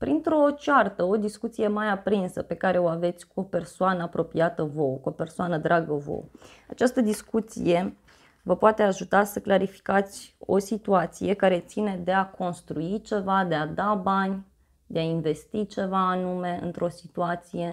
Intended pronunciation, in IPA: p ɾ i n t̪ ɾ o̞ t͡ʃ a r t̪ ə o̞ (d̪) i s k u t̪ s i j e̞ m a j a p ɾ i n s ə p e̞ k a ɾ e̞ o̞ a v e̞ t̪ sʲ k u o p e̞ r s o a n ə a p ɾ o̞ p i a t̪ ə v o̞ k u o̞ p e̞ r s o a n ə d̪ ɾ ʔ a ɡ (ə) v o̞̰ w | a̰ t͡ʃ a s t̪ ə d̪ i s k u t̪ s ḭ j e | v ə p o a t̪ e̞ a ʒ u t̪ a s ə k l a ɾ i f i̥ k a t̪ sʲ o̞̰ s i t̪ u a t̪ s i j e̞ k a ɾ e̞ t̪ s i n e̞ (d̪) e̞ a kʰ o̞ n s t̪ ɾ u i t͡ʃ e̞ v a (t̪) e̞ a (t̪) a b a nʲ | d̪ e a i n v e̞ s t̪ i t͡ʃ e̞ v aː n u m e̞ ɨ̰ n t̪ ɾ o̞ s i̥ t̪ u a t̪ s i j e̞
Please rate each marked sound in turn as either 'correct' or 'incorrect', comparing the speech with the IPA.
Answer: correct, correct, correct, incorrect, incorrect

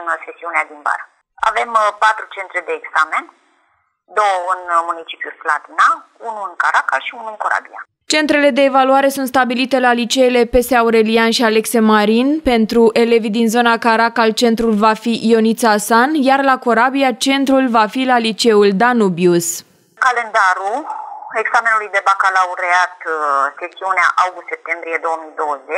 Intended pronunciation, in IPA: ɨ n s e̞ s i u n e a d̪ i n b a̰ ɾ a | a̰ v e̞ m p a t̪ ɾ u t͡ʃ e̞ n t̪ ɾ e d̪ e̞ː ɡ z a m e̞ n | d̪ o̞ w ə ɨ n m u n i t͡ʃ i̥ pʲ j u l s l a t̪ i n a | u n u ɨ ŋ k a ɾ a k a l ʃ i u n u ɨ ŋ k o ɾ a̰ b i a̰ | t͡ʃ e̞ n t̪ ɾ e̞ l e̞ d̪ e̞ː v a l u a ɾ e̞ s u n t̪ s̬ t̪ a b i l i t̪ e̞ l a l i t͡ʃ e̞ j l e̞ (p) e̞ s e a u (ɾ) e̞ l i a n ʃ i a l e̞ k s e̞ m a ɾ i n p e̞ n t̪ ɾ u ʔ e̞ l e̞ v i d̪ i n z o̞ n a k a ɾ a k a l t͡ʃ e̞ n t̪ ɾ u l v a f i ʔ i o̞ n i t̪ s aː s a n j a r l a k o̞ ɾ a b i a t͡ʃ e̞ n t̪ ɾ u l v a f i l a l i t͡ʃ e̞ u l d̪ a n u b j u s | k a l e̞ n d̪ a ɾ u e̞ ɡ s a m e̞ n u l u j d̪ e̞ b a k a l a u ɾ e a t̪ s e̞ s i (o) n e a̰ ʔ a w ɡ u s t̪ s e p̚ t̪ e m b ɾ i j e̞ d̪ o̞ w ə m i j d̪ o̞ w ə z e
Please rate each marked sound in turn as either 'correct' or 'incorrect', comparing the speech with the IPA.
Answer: correct, correct, incorrect

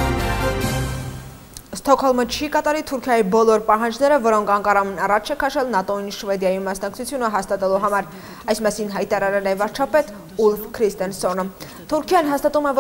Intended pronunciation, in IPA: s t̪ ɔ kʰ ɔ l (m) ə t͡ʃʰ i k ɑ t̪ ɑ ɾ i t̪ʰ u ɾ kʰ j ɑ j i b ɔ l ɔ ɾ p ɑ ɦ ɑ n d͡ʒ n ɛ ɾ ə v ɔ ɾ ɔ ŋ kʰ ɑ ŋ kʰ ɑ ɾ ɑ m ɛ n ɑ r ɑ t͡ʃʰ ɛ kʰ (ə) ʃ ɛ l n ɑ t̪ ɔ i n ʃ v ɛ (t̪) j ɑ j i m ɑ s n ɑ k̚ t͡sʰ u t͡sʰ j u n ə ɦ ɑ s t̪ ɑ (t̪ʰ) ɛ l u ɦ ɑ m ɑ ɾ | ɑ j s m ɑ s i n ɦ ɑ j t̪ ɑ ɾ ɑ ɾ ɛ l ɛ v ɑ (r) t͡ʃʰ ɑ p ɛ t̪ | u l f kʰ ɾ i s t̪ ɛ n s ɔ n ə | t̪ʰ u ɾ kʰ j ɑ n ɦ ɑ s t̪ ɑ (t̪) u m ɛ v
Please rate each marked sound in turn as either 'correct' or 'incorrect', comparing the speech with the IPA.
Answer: correct, incorrect, incorrect, incorrect, incorrect, correct

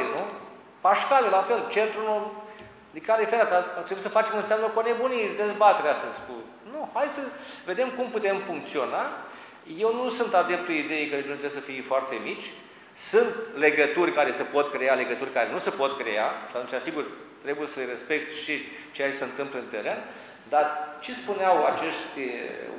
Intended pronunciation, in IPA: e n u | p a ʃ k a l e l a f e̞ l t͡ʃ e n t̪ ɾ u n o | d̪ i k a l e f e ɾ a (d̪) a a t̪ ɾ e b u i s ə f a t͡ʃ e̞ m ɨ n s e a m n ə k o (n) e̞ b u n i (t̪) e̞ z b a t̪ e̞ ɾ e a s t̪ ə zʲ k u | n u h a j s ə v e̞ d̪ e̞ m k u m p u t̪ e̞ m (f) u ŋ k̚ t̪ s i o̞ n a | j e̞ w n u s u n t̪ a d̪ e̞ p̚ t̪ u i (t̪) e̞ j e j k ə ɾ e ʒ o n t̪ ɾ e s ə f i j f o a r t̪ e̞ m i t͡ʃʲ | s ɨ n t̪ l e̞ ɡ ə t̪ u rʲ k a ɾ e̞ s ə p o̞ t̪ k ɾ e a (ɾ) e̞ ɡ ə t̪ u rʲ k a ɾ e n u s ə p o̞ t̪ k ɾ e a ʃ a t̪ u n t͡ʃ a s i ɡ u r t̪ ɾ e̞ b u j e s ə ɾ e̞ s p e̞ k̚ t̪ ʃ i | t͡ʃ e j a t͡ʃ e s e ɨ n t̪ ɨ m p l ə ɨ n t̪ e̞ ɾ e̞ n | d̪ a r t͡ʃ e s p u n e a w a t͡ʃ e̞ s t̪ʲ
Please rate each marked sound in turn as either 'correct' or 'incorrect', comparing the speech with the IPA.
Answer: incorrect, correct, incorrect, correct, incorrect, incorrect

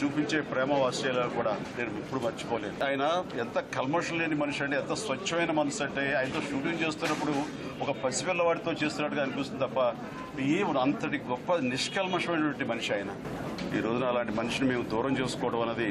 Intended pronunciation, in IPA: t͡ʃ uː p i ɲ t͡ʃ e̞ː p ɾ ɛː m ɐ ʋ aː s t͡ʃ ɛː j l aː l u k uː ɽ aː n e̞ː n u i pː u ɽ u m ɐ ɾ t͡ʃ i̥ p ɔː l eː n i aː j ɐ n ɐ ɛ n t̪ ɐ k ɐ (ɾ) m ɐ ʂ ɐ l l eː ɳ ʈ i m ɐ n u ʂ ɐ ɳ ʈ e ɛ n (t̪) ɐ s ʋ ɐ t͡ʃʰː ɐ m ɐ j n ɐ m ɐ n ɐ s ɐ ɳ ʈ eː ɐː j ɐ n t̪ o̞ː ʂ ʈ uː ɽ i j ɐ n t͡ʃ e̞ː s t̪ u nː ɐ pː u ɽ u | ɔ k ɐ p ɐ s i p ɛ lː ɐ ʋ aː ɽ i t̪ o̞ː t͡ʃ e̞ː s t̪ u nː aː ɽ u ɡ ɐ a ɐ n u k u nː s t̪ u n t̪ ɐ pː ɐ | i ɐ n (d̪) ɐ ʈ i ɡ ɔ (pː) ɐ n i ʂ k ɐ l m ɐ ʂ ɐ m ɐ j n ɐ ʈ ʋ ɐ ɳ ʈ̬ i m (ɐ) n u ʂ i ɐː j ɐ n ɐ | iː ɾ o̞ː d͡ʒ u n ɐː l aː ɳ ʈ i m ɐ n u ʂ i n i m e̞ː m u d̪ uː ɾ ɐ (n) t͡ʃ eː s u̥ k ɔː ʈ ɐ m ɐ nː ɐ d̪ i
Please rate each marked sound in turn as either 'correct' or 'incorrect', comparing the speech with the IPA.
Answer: incorrect, correct, incorrect, correct, correct, incorrect

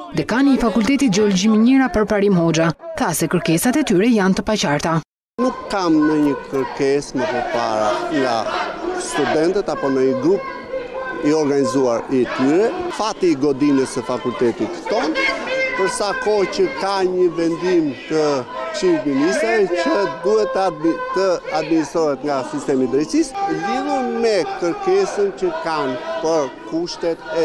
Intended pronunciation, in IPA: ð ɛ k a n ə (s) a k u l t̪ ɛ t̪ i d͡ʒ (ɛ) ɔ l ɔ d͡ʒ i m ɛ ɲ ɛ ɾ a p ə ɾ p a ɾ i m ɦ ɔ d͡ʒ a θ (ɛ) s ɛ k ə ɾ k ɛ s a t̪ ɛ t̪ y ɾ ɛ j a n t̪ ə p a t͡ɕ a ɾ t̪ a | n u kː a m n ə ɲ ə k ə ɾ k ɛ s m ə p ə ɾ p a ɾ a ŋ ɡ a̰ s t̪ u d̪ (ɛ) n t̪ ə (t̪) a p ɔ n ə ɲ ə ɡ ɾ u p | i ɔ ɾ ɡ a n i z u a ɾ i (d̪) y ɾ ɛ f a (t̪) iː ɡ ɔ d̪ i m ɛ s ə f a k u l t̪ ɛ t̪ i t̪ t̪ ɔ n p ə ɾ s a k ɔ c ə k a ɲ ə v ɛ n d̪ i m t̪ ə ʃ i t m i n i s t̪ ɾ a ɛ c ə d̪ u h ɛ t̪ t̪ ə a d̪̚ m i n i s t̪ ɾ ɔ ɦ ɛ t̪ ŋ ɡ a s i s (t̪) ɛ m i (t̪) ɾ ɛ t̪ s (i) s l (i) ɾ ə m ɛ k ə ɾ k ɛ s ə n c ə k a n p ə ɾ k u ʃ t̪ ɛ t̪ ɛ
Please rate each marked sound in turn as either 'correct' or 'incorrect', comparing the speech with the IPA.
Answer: incorrect, correct, incorrect, correct, correct, incorrect, correct, correct, incorrect, correct, correct

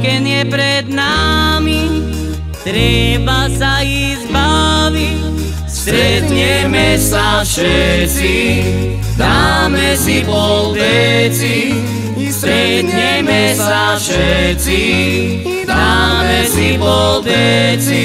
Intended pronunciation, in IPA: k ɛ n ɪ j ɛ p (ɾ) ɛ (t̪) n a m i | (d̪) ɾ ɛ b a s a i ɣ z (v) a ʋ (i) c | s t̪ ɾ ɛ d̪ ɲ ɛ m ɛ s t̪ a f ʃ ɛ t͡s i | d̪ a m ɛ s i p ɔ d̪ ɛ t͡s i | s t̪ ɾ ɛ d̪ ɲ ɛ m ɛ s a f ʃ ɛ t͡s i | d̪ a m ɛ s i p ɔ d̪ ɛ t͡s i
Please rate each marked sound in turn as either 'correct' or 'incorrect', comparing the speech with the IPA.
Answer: correct, incorrect, incorrect, incorrect, correct

